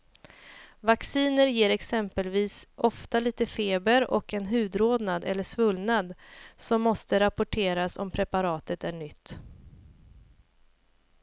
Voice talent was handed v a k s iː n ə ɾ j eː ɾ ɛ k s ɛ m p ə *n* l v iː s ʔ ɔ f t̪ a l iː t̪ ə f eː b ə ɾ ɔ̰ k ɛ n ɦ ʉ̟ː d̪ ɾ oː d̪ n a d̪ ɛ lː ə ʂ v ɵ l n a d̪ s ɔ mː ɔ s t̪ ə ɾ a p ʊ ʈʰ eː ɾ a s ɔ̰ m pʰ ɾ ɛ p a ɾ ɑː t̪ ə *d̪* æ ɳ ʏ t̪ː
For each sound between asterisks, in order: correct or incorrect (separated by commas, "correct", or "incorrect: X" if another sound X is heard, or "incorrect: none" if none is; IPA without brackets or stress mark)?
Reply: incorrect: none, incorrect: t̪